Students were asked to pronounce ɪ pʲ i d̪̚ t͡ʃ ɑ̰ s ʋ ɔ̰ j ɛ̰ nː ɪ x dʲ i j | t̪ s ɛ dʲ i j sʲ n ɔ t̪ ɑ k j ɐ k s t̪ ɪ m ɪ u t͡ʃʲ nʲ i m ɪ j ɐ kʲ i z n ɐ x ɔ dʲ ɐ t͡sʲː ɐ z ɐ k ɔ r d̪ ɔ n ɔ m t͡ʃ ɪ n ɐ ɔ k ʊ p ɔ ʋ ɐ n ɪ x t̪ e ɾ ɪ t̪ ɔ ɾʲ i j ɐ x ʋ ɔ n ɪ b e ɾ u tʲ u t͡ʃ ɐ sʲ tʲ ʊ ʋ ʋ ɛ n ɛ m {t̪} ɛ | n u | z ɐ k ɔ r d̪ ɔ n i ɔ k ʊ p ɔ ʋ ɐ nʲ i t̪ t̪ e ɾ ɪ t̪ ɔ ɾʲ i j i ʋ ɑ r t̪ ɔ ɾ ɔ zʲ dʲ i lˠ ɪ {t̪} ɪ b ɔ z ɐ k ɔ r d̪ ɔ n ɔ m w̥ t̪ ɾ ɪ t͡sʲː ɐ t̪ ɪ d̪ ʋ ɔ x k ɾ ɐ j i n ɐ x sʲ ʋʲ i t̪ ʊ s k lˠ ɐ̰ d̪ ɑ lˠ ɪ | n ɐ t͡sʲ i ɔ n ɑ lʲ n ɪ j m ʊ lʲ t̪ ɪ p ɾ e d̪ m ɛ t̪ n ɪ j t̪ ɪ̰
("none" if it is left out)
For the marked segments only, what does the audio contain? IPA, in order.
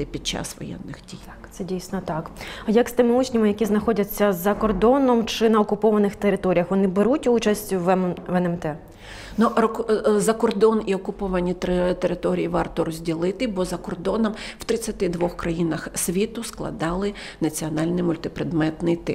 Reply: t̪, t̪

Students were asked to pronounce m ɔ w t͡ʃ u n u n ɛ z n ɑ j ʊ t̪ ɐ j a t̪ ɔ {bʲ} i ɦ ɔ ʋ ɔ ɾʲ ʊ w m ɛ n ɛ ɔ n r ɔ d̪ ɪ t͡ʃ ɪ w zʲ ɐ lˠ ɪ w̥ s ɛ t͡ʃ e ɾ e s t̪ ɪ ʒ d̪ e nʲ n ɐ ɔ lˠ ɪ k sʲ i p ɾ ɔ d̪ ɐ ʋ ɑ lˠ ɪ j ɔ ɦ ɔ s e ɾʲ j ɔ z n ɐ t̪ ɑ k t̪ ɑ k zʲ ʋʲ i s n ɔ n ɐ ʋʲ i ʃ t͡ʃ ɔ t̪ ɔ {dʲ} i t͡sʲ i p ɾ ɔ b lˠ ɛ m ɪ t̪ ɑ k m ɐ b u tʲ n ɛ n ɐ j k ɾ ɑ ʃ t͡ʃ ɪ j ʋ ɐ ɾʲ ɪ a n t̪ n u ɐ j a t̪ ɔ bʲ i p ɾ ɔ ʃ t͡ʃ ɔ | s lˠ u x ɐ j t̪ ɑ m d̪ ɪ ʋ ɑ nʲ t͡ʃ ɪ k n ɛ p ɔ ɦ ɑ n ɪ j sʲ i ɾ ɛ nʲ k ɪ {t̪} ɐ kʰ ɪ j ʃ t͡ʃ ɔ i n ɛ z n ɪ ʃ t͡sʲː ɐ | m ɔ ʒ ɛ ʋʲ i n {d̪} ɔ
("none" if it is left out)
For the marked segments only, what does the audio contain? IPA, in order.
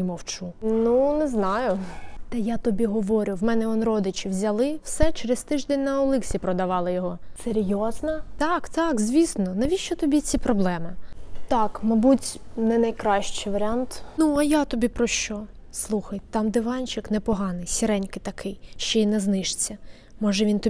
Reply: bʲ, bʲ, t̪, t̪

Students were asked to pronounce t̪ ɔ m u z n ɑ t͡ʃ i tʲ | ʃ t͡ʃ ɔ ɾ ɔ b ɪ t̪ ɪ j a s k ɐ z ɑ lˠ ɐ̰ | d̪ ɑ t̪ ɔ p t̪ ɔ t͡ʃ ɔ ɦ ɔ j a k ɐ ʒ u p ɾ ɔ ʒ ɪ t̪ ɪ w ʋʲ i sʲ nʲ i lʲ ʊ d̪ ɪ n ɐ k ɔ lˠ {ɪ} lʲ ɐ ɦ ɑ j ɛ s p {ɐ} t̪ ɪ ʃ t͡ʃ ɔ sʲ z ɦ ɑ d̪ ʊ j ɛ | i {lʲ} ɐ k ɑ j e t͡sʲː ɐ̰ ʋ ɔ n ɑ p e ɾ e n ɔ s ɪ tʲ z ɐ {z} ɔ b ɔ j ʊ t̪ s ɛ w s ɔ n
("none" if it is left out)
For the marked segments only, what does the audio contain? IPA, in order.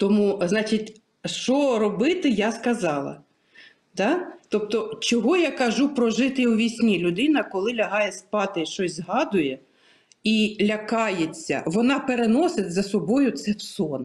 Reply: ɪ, ɑ, lʲ, s

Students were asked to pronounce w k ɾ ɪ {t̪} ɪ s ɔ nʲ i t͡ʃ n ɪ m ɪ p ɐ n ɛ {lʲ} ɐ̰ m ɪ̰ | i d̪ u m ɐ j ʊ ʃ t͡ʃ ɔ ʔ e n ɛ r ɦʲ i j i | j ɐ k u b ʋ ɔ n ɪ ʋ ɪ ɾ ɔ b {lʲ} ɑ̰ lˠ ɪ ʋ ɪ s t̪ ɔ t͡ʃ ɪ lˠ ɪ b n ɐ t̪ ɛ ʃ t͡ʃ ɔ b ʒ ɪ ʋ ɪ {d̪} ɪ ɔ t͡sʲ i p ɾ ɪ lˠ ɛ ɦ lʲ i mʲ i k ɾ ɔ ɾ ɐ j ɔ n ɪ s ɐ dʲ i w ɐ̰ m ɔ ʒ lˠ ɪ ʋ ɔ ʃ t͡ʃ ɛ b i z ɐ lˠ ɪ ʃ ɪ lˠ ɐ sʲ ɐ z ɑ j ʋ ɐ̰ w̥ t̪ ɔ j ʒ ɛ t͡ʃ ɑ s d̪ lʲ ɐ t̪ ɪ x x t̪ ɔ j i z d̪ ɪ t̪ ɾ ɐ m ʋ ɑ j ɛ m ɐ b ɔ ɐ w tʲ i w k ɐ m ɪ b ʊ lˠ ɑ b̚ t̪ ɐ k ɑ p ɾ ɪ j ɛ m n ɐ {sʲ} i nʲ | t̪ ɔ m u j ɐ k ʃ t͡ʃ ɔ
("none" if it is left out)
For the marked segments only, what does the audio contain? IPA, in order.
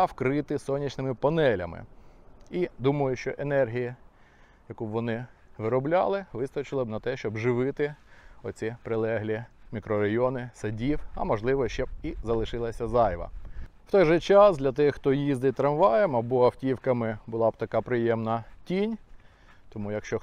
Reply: t̪, lʲ, lʲ, t̪, tʲ

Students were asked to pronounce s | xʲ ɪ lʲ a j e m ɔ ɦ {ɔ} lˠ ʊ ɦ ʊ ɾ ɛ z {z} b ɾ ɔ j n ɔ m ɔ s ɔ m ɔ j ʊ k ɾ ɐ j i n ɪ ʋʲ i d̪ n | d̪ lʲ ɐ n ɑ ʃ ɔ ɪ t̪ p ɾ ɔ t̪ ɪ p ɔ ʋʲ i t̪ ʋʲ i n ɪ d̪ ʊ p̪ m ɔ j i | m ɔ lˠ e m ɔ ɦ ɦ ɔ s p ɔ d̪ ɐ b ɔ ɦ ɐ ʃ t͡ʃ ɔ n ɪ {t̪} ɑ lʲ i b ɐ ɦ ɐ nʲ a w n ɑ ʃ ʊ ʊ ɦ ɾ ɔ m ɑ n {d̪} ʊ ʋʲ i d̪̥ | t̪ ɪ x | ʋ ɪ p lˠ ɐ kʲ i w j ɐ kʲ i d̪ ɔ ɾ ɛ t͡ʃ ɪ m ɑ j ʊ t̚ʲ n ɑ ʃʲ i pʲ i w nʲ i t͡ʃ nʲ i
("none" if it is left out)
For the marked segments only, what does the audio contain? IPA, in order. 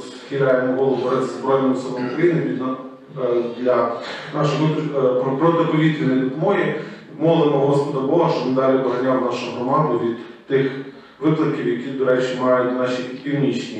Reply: ɔ, z, d̪, d̪

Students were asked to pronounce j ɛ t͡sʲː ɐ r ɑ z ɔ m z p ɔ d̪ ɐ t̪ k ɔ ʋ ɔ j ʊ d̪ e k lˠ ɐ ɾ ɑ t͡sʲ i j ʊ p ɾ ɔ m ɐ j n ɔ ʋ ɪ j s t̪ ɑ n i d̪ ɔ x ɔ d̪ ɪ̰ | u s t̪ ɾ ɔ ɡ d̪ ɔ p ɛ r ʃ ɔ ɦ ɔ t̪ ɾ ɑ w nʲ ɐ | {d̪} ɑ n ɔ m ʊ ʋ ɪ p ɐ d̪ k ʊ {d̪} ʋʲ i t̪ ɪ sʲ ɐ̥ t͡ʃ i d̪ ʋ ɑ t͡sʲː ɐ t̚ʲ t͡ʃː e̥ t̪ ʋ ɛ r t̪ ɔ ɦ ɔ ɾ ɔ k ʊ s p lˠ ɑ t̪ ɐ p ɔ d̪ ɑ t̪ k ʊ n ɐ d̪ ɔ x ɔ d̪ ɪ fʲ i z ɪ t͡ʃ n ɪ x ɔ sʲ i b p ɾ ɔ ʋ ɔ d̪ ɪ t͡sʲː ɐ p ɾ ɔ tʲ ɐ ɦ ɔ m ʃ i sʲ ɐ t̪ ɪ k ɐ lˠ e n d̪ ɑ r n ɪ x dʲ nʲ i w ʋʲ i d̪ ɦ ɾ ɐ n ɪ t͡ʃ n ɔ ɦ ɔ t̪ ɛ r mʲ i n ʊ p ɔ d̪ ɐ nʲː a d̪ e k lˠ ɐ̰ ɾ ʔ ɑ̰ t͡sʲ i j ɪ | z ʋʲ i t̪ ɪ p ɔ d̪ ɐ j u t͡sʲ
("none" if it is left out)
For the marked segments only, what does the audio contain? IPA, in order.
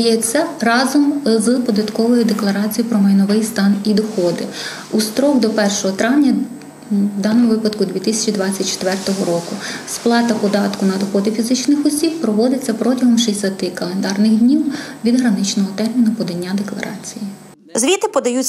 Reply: d̪, d̪

